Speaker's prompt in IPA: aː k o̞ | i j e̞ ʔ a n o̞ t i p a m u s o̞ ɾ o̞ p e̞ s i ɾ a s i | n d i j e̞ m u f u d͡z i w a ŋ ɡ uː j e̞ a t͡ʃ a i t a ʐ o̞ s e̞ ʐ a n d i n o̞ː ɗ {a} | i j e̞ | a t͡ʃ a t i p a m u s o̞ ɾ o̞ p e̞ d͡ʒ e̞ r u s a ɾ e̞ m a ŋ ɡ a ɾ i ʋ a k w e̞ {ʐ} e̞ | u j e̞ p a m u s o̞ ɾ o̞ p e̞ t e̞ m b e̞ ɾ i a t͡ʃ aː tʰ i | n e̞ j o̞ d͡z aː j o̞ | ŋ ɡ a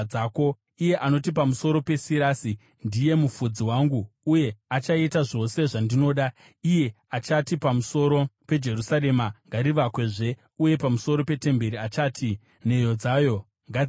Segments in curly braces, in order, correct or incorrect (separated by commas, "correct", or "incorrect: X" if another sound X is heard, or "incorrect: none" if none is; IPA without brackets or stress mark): correct, correct